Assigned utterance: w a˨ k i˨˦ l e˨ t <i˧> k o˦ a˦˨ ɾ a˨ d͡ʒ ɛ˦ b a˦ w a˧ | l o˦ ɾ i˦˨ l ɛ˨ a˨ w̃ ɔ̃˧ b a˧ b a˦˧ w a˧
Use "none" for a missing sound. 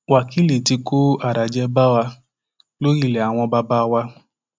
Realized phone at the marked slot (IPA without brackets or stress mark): i˧